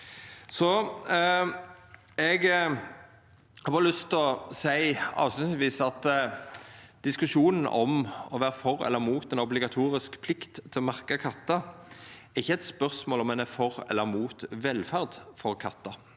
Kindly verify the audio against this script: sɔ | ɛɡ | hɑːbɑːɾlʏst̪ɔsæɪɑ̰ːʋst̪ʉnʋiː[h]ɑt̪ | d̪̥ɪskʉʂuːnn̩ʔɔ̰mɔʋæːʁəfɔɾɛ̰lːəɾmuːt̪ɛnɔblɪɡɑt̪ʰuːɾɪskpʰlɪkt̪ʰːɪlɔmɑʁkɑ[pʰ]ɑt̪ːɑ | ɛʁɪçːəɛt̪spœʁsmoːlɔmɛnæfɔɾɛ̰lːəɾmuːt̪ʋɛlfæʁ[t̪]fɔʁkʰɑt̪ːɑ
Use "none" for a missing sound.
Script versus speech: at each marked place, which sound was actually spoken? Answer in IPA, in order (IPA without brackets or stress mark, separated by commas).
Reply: s, kʰ, d̪